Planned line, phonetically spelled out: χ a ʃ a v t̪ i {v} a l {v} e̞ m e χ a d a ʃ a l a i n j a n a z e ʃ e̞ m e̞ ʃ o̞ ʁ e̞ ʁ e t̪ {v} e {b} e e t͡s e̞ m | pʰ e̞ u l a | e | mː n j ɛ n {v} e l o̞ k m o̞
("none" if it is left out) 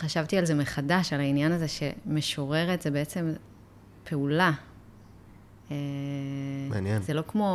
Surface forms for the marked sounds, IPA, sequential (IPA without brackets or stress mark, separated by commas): none, z, z, b, z